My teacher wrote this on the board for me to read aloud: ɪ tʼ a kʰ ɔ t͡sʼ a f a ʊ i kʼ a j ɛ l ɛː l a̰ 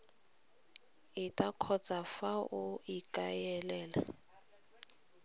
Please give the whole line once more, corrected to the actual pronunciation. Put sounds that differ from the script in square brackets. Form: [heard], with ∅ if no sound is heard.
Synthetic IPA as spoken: ɪ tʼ a kʰ ɔ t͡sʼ a f a ʊ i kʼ a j ɛ l ɛː l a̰